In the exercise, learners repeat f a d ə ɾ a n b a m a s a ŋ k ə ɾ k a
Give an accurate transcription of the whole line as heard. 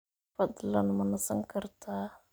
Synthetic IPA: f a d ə l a n m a n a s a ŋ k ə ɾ t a

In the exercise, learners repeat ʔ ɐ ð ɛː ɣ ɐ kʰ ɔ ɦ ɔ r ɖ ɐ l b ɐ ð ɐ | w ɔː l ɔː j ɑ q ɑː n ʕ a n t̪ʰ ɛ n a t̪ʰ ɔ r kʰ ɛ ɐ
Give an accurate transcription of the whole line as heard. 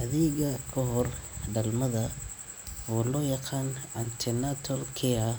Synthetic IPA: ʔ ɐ ð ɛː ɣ ɐ kʰ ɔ ɦ ɔ r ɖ ɐ l m ɐ ð ɐ | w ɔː l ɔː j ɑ q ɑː n ʕ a n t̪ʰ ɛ n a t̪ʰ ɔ l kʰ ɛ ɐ

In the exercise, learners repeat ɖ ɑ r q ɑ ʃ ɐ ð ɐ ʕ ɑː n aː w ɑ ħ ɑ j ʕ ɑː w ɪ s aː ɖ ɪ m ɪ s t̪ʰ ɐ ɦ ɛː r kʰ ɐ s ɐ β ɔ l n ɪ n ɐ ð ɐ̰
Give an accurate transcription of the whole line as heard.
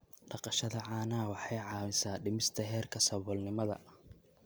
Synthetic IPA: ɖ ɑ q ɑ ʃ ɐ ð ɐ ʕ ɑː n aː w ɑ ħ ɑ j ʕ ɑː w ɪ s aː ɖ ɪ m ɪ s t̪ʰ ɐ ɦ ɛː r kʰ ɐ s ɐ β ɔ l n ɪ m ɐ ð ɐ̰

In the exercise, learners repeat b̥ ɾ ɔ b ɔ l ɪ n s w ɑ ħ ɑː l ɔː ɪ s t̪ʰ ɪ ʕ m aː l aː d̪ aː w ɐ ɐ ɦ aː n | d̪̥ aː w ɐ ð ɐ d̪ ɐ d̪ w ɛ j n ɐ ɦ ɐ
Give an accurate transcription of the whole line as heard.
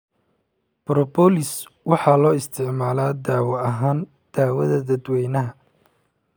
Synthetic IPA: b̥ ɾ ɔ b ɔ l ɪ s w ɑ ħ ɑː l ɔː ɪ s t̪ʰ ɪ ʕ m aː l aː d̪ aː w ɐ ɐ ɦ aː n | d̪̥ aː w ɐ ð ɐ d̪ ɐ d̪ w ɛ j n ɐ ɦ ɐ

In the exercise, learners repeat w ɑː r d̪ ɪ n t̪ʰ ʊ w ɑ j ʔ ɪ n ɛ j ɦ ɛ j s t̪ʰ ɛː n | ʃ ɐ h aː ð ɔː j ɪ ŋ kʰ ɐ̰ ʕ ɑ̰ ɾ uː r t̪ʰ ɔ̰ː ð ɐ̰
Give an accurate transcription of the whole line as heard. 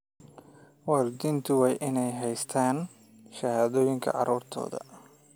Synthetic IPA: w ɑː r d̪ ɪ n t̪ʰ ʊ w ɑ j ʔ ɪ n ɛ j ɦ ɛ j s t̪ʰ aː n | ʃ ɐ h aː ð ɔː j ɪ ŋ kʰ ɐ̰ ʕ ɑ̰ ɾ uː r t̪ʰ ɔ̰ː ð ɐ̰

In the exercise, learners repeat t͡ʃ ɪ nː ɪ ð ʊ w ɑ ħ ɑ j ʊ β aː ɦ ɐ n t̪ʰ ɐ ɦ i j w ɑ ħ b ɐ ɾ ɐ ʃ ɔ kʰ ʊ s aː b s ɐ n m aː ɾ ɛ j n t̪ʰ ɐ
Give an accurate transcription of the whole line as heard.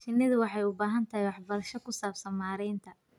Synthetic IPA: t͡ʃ ɪ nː ɪ ð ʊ w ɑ ħ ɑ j ʊ b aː ɦ ɐ n t̪ʰ ɐ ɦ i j w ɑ ħ b ɐ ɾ ɐ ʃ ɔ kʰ ʊ s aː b s ɐ n m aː ɾ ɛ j n t̪ʰ ɐ

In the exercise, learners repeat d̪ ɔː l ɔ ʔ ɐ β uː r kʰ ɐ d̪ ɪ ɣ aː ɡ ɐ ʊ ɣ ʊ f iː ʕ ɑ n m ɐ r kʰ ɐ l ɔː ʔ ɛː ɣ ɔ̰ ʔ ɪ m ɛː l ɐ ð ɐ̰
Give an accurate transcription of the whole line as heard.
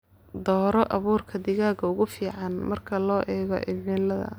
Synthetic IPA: d̪ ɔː ɾ ɔ ʔ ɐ β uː r kʰ ɐ d̪ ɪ ɣ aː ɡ ɐ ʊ ɣ ʊ f iː ʕ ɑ n m ɐ r kʰ ɐ l ɔː ʔ ɛː ɣ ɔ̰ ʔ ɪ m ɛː l ɐ ð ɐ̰

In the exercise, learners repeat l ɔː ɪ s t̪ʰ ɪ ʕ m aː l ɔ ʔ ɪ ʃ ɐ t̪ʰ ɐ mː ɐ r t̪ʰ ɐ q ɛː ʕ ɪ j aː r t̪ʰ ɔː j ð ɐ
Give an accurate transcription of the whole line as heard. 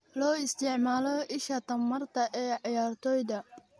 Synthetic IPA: l ɔː ɪ s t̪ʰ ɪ ʕ m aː l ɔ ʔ ɪ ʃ ɐ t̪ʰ ɐ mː ɐ r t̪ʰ ɐ ʔ ɛː ʕ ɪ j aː r t̪ʰ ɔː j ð ɐ

